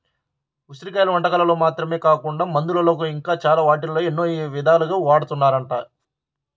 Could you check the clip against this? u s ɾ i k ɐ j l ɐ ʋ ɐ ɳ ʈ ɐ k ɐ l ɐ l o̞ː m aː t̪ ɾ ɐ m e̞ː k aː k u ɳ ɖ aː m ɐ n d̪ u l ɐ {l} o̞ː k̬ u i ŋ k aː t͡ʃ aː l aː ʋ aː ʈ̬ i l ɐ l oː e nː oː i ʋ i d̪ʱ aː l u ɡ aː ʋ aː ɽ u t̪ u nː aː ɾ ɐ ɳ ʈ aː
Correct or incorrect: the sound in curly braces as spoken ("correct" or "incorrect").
correct